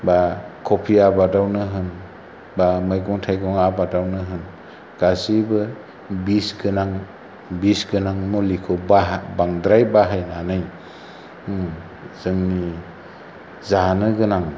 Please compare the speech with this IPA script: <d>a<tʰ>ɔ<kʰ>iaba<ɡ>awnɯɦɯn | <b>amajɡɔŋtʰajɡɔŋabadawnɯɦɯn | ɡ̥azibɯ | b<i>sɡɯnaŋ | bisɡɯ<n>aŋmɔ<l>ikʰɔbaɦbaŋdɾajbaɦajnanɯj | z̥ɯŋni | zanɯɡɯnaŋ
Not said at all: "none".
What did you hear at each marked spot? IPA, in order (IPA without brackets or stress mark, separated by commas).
b, kʰ, pʰ, d, b, i, n, l